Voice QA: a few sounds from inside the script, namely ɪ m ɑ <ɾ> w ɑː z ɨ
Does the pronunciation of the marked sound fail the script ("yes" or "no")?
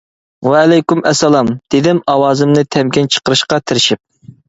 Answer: yes